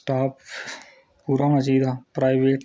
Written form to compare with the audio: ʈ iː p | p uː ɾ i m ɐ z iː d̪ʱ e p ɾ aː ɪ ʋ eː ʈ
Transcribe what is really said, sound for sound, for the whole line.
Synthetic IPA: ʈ aː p | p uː ɾ a m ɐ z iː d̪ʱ a p ɾ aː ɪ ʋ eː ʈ

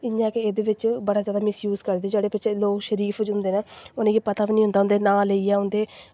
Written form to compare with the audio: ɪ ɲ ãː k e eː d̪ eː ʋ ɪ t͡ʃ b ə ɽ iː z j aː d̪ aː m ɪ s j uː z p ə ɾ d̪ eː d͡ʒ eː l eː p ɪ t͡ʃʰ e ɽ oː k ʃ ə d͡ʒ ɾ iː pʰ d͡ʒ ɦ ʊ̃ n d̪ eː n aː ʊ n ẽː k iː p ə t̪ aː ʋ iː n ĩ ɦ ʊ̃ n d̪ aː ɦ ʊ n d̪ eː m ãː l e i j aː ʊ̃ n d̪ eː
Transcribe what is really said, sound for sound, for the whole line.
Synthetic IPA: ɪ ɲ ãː k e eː d̪ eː ʋ ɪ t͡ʃ b ə ɽ aː z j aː d̪ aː m ɪ s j uː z k ə ɾ d̪ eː d͡ʒ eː ɽ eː p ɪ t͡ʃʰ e l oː k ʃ ə ɾ iː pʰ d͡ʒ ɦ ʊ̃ n d̪ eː n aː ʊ n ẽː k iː p ə t̪ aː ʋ iː n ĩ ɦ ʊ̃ n d̪ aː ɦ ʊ n d̪ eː n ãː l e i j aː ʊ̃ n d̪ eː

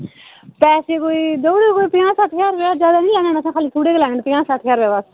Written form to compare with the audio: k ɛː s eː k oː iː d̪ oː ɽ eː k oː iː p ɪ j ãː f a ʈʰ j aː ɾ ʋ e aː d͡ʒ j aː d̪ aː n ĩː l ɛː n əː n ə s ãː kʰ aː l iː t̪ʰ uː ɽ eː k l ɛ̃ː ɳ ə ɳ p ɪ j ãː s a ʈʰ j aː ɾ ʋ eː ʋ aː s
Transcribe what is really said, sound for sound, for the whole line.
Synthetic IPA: p ɛː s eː k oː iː d̪ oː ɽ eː k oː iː p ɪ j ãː s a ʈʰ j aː ɾ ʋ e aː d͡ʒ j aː d̪ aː n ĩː l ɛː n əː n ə s ãː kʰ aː l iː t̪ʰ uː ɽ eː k l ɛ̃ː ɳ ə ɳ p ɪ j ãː s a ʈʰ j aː ɾ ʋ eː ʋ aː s

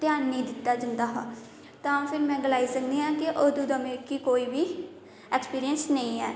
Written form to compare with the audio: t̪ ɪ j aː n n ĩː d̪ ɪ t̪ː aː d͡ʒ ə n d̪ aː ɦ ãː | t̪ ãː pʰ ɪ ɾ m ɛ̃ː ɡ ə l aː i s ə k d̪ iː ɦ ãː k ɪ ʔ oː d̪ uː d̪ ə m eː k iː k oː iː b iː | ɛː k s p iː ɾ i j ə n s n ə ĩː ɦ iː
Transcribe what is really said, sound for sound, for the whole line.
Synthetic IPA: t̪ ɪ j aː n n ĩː d̪ ɪ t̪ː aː d͡ʒ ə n d̪ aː ɦ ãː | t̪ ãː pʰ ɪ ɾ m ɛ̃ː ɡ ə l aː i s ə k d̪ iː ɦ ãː k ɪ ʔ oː d̪ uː d̪ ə m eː k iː k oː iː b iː | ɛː k s p iː ɾ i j ə n s n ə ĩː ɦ ɛː

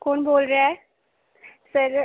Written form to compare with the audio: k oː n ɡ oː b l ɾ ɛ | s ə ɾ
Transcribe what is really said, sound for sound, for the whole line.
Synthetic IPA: k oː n b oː l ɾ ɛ | s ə ɾ

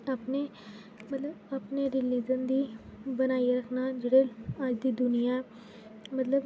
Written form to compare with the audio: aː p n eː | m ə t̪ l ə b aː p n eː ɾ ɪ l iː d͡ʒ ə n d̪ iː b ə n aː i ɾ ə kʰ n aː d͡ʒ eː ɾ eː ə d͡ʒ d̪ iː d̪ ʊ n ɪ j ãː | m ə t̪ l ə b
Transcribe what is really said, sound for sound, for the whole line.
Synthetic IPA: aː p n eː | m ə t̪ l ə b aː p n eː ɾ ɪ l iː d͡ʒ ə n d̪ iː b ə n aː i ɾ ə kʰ n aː d͡ʒ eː ɽ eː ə d͡ʒ d̪ iː d̪ ʊ n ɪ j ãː | m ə t̪ l ə b

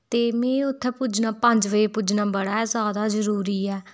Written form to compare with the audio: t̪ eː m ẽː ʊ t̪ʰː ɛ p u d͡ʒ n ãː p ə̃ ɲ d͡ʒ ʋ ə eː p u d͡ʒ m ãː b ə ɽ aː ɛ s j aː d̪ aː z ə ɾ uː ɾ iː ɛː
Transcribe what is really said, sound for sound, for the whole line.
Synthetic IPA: t̪ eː m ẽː ʊ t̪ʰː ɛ p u d͡ʒ n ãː p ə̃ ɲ d͡ʒ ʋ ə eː p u d͡ʒ n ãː b ə ɽ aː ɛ z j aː d̪ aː z ə ɾ uː ɾ iː ɛː

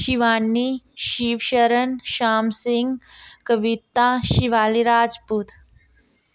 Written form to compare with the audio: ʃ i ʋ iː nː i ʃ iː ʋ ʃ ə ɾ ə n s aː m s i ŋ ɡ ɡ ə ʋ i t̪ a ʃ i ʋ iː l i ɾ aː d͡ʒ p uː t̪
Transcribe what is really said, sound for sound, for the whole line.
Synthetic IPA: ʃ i ʋ aː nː i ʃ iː ʋ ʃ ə ɾ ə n ʃ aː m s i ŋ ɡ k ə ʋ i t̪ a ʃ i ʋ aː l i ɾ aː d͡ʒ p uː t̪

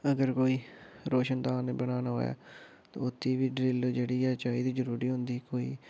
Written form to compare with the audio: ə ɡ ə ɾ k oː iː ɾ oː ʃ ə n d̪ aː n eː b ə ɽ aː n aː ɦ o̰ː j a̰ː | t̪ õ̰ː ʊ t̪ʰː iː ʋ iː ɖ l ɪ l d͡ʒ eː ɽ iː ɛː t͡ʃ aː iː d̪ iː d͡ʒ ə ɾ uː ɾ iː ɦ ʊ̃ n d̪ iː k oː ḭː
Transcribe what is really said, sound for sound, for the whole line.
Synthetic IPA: ə ɡ ə ɾ k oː iː ɾ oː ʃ ə n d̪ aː n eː b ə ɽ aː n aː ɦ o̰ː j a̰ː | t̪ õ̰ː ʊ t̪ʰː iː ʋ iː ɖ ɾ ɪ l d͡ʒ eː ɽ iː ɛː t͡ʃ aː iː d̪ iː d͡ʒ ə ɾ uː ɾ iː ɦ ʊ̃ n d̪ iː k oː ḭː

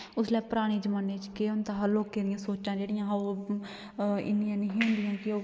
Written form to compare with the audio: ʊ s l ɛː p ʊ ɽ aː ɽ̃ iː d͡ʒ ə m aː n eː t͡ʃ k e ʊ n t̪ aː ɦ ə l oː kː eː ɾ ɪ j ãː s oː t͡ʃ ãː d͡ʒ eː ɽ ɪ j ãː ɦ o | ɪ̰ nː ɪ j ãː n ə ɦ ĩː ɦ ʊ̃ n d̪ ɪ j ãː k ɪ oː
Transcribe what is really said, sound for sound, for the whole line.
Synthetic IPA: ʊ s l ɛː p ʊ ɾ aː ɽ̃ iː d͡ʒ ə m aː n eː t͡ʃ k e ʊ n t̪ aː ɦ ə l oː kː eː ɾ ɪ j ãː s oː t͡ʃ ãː d͡ʒ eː ɽ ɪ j ãː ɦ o | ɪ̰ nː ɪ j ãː n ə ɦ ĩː ɦ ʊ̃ n d̪ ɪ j ãː k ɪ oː

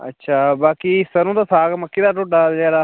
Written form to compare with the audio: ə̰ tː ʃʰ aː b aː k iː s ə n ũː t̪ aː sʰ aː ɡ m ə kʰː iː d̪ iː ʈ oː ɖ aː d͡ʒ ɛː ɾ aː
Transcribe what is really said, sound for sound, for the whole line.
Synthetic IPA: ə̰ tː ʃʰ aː b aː k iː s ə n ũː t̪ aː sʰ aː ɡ m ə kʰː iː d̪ aː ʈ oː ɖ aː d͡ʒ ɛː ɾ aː

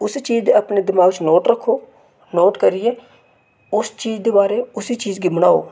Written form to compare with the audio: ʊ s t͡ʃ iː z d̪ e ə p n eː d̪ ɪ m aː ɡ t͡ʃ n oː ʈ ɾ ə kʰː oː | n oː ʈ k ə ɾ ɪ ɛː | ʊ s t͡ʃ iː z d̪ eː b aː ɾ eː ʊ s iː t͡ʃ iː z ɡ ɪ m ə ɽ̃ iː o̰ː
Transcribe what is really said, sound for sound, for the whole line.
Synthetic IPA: ʊ s t͡ʃ iː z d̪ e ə p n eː d̪ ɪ m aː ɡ t͡ʃ n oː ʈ ɾ ə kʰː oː | n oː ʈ k ə ɾ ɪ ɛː | ʊ s t͡ʃ iː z d̪ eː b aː ɾ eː ʊ s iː t͡ʃ iː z ɡ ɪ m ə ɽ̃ aː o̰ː

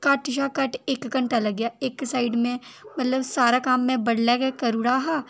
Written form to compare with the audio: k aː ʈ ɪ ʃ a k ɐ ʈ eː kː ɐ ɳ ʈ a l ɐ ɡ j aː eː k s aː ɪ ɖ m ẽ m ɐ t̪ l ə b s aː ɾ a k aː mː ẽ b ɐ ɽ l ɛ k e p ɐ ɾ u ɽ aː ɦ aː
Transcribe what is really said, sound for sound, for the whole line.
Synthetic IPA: k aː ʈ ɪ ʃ a k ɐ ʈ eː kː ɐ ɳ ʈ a l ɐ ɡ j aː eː k s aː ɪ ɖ m ẽ m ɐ t̪ l ə b s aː ɾ a k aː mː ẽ b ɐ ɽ l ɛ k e k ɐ ɾ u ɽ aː ɦ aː

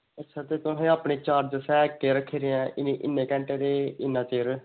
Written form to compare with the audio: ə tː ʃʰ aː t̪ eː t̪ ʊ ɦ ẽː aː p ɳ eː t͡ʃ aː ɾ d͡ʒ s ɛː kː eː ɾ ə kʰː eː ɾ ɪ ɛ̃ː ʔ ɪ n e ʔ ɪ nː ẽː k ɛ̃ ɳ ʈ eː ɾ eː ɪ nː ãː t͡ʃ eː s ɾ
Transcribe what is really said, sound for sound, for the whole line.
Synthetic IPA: ə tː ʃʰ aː t̪ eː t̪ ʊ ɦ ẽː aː p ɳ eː t͡ʃ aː ɾ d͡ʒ s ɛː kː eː ɾ ə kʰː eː ɾ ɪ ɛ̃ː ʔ ɪ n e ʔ ɪ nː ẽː k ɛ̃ ɳ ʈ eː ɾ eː ɪ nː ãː t͡ʃ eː ɾ

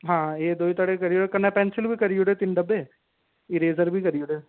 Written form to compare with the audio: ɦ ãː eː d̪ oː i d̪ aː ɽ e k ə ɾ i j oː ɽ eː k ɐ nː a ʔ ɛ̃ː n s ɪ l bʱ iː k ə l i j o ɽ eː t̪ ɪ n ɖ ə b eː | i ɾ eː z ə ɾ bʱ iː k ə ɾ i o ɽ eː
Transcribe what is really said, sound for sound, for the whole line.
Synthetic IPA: ɦ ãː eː d̪ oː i t̪ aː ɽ e k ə ɾ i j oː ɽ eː k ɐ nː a p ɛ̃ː n s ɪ l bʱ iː k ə ɾ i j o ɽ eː t̪ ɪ n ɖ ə b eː | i ɾ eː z ə ɾ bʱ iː k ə ɾ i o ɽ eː

